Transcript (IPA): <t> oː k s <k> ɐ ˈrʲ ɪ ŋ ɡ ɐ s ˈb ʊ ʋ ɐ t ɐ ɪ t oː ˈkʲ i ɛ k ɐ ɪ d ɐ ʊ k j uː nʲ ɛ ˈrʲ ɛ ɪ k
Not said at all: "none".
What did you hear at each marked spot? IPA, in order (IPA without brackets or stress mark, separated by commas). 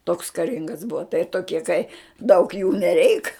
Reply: t, k